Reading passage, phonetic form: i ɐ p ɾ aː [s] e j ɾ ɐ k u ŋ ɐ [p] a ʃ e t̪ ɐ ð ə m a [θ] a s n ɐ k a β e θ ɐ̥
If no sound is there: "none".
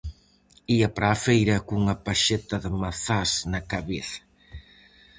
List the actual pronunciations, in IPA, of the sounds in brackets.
f, p, θ

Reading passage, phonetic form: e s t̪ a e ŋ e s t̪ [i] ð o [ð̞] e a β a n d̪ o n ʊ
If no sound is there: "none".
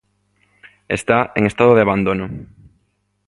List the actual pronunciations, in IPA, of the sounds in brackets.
a, ð̞

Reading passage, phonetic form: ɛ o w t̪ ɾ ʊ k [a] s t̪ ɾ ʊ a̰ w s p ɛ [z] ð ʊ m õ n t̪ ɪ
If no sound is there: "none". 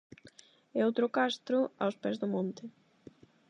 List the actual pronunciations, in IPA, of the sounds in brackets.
a, z

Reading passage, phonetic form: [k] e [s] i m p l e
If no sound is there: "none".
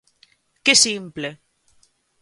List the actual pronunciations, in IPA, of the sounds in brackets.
k, s

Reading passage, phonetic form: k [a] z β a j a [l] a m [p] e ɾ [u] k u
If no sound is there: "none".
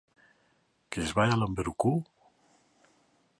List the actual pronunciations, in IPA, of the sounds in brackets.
e, l, b, u

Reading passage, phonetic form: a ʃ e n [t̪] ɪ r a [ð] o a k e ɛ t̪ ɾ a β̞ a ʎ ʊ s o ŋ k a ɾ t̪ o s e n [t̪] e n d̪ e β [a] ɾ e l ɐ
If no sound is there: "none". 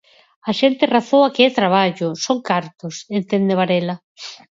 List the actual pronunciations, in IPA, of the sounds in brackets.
t̪, θ, t̪, a

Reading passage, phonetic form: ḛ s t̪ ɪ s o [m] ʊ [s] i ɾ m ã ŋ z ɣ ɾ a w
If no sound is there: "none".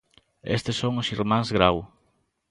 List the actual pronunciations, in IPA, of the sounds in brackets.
ŋ, s

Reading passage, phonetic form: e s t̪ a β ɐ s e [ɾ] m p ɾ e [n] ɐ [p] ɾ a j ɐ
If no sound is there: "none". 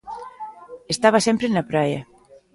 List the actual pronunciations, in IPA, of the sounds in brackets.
none, n, p

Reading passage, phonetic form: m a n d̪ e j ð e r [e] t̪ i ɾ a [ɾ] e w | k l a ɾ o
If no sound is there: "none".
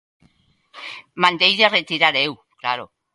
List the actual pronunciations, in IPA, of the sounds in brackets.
e, ɾ

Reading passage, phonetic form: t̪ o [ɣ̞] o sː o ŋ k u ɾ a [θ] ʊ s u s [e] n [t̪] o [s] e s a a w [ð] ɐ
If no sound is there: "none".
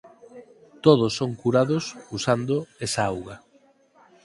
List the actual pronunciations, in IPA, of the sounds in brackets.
ð̞, ð, a, d̪, none, ɣ

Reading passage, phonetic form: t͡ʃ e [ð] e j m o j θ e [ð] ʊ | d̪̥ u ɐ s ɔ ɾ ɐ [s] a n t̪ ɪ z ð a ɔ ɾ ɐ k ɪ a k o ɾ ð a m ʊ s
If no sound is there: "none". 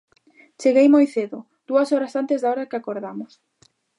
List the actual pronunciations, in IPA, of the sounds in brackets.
ɣ, ð, s

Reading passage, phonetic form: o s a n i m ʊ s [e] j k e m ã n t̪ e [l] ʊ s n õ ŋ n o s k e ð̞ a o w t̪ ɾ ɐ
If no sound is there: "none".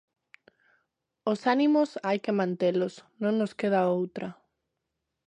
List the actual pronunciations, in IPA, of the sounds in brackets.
a, l

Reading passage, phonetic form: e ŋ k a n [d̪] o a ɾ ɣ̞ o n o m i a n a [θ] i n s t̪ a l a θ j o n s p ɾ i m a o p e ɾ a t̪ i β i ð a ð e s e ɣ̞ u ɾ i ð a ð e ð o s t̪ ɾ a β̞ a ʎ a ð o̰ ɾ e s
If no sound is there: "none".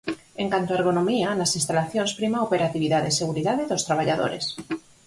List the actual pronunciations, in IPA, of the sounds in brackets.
t̪, s

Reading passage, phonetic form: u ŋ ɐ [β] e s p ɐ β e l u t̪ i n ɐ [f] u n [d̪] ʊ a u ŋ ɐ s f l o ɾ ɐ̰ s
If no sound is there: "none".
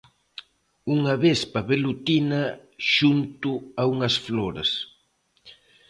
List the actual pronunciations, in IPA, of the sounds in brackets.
β, ʃ, t̪

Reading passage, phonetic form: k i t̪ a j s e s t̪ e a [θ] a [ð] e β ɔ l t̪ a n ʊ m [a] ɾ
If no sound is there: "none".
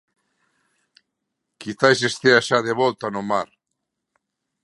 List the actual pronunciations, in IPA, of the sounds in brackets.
ʃ, ð, a

